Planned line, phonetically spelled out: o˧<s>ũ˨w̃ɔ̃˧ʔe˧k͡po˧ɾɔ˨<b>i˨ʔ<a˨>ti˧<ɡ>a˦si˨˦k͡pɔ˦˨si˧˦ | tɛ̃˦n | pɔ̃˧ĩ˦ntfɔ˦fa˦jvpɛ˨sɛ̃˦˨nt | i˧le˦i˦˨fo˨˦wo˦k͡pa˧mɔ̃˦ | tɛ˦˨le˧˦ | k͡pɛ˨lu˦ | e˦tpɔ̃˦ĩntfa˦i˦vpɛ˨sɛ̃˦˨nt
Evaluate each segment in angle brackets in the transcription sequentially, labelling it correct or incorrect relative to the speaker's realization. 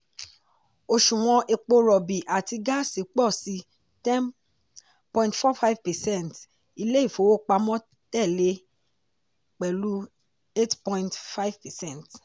incorrect: ʃ, correct, correct, correct

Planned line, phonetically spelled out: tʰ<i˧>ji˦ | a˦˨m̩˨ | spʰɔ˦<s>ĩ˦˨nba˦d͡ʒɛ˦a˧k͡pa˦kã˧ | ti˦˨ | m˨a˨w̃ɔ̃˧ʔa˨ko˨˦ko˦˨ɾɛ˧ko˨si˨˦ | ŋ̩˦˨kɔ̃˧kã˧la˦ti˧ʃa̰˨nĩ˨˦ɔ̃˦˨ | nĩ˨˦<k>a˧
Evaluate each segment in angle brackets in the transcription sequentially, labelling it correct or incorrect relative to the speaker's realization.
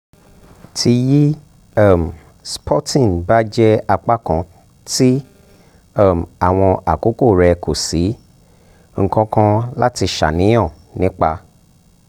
correct, incorrect: t, incorrect: k͡p

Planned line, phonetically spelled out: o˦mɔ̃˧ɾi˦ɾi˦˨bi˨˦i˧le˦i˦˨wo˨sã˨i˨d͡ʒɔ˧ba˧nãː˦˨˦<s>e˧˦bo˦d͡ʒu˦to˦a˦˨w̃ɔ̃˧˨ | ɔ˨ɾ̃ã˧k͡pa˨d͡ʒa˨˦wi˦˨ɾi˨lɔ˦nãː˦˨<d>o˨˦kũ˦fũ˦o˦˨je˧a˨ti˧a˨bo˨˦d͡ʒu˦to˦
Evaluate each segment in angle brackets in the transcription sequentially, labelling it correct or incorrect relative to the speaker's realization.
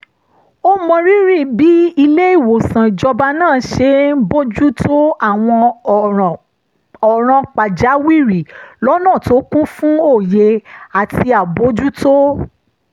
incorrect: ʃ, incorrect: t

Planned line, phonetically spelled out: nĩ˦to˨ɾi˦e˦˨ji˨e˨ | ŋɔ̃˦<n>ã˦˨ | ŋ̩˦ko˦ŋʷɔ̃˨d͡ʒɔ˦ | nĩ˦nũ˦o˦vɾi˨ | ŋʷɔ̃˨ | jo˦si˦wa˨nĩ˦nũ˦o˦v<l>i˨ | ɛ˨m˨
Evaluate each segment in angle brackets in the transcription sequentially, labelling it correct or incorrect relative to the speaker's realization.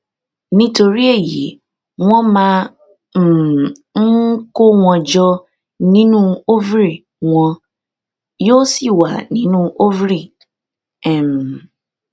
incorrect: m, incorrect: ɾ

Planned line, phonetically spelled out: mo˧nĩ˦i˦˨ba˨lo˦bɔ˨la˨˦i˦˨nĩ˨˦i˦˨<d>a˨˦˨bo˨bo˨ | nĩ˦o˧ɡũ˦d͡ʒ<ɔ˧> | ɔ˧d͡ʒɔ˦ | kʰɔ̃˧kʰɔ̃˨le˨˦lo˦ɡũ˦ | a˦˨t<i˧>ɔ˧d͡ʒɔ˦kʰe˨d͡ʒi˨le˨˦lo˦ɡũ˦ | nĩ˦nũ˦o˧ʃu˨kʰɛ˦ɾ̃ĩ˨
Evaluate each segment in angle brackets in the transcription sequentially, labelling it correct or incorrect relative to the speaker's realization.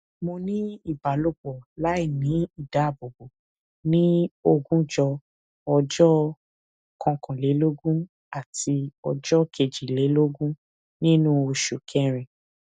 correct, correct, correct

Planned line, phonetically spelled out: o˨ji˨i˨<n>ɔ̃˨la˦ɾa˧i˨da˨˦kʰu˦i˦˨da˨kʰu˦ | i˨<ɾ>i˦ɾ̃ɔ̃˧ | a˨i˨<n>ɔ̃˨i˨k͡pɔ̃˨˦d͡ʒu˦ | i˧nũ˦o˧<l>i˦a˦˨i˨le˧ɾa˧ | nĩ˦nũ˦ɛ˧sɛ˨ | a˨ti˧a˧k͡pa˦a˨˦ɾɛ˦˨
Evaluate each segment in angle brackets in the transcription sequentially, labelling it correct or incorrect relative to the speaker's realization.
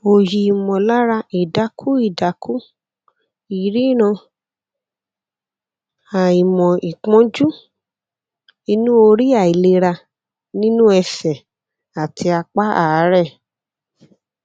incorrect: m, correct, incorrect: m, incorrect: ɾ

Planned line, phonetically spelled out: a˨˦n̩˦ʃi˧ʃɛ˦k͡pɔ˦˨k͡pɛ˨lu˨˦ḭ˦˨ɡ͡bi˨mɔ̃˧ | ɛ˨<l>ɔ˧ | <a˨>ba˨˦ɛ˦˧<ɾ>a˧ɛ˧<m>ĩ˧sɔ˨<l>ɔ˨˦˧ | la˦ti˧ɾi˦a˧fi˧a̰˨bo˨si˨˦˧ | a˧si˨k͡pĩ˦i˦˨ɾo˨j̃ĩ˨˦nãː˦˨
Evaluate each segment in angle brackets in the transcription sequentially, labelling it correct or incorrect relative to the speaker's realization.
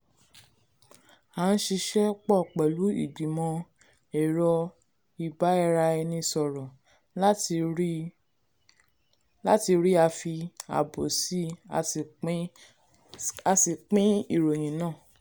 incorrect: ɾ, incorrect: i˨, correct, incorrect: n, incorrect: ɾ

